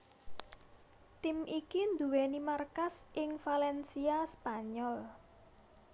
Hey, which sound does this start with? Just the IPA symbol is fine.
t̪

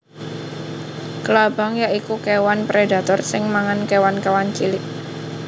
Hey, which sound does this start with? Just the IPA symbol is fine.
k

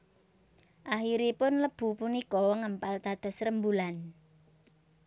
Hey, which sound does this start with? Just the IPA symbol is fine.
ʔ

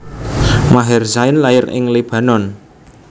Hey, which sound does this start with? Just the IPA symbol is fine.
m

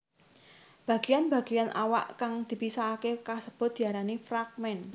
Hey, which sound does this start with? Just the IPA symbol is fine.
b̥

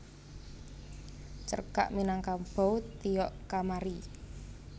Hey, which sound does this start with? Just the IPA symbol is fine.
t͡ʃ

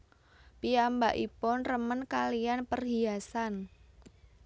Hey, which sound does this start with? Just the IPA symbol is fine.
p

